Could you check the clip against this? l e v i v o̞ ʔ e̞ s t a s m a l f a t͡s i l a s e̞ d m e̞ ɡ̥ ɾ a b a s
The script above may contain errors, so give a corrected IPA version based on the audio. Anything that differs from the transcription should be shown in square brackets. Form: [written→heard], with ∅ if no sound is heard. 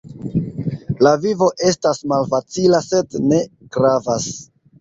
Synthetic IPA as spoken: l [e→a] v i v o̞ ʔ e̞ s t a s m a l f a t͡s i l a s e̞ d [m→n] e̞ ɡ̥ ɾ a [b→v] a s

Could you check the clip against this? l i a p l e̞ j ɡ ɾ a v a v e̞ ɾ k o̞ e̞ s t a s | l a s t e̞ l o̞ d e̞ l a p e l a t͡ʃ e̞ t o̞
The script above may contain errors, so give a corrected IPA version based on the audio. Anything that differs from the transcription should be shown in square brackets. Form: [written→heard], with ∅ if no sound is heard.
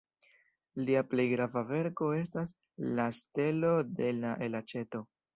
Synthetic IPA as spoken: l i a p l e̞ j ɡ ɾ a v a v e̞ ɾ k o̞ e̞ s t a s | l a s t e̞ l o̞ d e̞ l a [p→ʔ] e l a t͡ʃ e̞ t o̞

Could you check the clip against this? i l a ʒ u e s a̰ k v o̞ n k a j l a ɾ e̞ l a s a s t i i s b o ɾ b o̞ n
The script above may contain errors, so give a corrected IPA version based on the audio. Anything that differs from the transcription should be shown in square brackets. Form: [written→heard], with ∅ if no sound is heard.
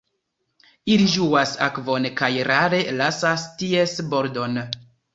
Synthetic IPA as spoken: i l [a→i] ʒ u [e→a] s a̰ k v o̞ n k a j [l→ɾ] a ɾ e̞ l a s a s t i [i→e] s b o ɾ [b→d] o̞ n

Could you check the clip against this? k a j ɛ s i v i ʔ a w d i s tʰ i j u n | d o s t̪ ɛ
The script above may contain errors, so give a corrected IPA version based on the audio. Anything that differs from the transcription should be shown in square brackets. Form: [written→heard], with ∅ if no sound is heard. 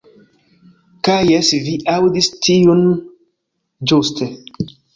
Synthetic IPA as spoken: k a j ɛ s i v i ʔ a w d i s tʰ i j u n | [d→d͡ʒ] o s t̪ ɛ

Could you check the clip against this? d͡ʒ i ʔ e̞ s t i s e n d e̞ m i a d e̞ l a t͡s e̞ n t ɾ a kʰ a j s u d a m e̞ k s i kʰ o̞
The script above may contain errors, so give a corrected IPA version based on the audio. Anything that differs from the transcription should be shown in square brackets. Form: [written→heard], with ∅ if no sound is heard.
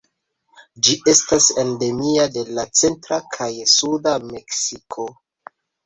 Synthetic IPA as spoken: d͡ʒ i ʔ e̞ s t [i→a] s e n d e̞ m i a d e̞ l a t͡s e̞ n t ɾ a kʰ a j s u d a m e̞ k s i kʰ o̞

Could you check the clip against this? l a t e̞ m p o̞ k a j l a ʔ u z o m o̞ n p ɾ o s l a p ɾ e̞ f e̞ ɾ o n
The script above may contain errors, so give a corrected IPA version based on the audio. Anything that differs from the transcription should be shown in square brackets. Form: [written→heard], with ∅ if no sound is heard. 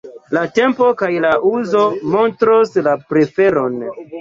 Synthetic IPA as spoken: l a t e̞ m p o̞ k a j l a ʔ u z o m o̞ n [p→t] ɾ o s l a p ɾ e̞ f e̞ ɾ o n

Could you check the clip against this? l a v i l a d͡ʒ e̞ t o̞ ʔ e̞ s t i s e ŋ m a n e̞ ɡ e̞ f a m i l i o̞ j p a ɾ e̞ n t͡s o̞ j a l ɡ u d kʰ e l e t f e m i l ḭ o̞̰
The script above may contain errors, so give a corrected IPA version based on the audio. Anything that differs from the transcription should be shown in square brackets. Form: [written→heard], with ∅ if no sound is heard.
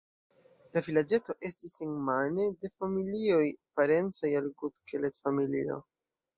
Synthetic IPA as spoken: l a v i l a d͡ʒ e̞ t o̞ ʔ e̞ s t i s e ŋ m a n e̞ [ɡ→d] e̞ f a m i l i o̞ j p a ɾ e̞ n t͡s o̞ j a l ɡ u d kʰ e l e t f [e→a] m i l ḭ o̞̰

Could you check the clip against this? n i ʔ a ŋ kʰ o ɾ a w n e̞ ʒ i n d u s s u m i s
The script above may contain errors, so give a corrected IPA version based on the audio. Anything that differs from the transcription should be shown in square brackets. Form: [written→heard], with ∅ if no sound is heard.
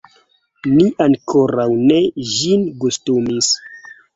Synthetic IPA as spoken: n i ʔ a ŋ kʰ o ɾ a w n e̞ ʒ i n [d→ɡ] u s [s→t] u m i s

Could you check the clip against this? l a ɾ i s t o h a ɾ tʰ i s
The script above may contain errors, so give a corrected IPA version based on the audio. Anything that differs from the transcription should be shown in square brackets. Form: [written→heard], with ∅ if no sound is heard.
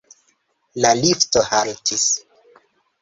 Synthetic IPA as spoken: l a [ɾ→l] i [s→f] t o h a [ɾ→l] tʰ i s

